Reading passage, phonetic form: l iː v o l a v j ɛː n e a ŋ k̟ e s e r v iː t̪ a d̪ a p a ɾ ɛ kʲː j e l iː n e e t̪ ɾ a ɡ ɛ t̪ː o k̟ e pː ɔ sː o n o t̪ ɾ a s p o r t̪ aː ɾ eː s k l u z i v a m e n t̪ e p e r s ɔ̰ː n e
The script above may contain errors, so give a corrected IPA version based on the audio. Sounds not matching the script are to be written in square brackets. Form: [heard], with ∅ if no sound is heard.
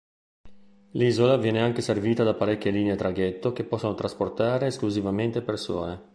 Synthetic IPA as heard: l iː [z] o l a v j ɛː n e a ŋ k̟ e s e r v iː t̪ a d̪ a p a ɾ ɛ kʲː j e l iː n e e t̪ ɾ a ɡ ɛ t̪ː o k̟ e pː ɔ sː o n o t̪ ɾ a s p o r t̪ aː ɾ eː s k l u z i v a m e n t̪ e p e r s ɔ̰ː n e